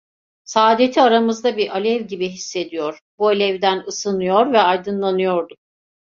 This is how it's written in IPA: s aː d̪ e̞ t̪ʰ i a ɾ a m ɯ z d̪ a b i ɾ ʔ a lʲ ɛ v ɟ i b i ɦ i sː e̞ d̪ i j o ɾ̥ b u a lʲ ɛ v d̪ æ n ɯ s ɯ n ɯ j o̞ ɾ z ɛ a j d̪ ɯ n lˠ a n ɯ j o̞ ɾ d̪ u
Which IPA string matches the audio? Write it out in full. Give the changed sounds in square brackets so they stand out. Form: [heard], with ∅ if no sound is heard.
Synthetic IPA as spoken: s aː d̪ e̞ t̪ʰ i a ɾ a m ɯ z d̪ a b i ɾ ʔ a lʲ ɛ v ɟ i b i ɦ i sː e̞ d̪ i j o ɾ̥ b u a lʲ ɛ v d̪ æ n ɯ s ɯ n ɯ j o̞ ɾ [v] ɛ a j d̪ ɯ n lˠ a n ɯ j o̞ ɾ d̪ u